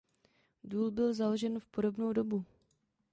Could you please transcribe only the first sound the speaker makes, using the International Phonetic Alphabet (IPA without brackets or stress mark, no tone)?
d